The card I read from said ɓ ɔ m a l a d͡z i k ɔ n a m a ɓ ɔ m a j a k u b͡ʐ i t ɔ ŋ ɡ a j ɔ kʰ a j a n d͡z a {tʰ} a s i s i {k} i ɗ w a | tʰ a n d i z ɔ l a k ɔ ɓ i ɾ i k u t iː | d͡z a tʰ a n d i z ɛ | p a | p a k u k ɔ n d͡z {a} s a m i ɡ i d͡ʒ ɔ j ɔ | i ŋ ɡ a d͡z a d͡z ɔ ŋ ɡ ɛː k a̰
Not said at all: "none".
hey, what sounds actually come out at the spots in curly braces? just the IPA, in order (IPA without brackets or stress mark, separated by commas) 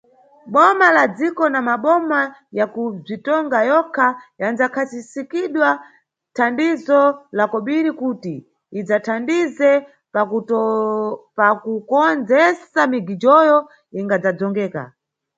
kʰ, k, ɛ